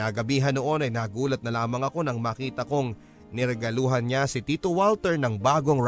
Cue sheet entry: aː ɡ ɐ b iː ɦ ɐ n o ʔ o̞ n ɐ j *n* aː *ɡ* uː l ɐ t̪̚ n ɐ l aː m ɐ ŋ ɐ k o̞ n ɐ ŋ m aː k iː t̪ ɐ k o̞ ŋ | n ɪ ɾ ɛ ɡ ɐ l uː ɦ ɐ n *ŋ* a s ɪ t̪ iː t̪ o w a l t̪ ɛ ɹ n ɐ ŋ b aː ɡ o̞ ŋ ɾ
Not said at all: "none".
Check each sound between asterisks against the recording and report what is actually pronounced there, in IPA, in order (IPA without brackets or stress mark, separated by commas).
n, ɡ, ɲ